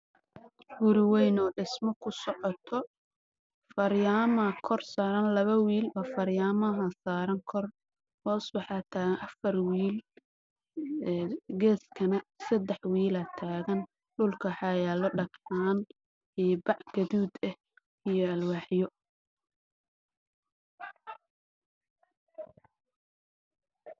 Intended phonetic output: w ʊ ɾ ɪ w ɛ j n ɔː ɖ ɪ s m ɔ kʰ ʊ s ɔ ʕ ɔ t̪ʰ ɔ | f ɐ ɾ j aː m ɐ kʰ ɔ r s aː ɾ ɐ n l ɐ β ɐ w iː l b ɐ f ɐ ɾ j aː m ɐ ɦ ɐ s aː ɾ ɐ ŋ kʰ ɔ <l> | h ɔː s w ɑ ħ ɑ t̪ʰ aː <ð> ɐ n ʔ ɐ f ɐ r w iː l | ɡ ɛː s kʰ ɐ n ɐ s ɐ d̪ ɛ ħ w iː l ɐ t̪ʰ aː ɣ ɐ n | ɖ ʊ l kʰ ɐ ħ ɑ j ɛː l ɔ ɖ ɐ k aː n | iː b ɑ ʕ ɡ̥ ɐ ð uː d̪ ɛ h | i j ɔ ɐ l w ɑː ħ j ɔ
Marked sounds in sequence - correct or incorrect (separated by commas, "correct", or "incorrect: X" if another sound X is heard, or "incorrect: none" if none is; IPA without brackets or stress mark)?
incorrect: r, incorrect: ɣ